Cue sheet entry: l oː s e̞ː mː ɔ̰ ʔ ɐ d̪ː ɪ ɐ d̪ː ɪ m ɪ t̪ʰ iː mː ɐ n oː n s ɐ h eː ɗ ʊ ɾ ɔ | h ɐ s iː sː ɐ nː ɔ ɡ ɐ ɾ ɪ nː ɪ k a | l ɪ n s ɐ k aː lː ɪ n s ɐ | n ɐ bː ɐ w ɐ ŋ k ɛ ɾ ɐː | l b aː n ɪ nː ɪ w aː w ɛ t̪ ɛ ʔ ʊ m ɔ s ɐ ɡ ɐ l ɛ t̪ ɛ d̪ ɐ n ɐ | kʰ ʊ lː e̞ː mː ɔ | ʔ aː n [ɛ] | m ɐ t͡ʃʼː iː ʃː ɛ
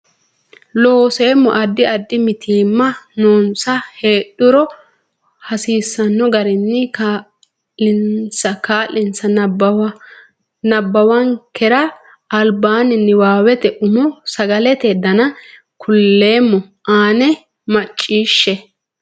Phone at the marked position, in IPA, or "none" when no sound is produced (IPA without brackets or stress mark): ɛ